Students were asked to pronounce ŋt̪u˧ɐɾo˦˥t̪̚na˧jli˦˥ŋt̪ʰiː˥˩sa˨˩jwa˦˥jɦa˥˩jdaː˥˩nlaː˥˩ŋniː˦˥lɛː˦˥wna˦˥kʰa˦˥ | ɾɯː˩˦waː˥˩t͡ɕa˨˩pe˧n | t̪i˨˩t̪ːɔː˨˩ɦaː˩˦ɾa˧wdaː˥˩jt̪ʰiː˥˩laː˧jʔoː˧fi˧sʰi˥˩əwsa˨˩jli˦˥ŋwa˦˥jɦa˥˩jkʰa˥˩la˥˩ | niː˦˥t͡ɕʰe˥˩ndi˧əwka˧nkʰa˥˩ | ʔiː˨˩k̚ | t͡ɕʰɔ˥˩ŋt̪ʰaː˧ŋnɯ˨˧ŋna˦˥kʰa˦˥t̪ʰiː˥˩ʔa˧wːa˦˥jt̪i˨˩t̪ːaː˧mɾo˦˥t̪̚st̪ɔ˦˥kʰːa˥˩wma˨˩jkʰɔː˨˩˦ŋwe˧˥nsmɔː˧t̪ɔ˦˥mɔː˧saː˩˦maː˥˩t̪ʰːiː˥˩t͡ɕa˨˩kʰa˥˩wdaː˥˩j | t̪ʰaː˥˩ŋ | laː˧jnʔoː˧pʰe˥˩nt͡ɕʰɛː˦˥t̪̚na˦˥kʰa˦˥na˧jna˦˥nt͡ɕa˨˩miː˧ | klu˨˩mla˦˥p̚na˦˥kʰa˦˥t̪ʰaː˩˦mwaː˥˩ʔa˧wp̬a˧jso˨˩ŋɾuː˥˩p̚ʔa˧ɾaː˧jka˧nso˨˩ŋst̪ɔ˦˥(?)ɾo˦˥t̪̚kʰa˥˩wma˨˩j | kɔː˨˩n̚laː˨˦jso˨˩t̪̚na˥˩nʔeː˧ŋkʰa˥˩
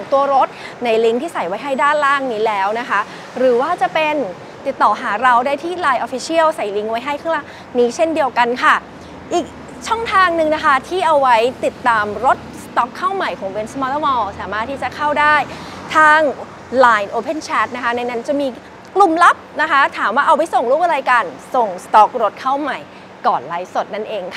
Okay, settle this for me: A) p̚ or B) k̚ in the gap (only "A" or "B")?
B